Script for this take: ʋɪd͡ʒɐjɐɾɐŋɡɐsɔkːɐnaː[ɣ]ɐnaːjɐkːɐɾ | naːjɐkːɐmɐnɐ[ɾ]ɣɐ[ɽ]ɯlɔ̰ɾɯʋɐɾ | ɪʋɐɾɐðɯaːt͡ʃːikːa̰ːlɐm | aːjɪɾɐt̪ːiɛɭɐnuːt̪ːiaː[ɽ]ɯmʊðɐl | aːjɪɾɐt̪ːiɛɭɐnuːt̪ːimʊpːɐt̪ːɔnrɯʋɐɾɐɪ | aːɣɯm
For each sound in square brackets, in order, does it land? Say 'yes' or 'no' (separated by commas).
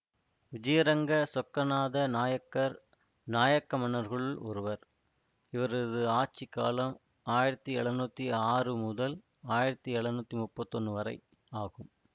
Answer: no, yes, no, no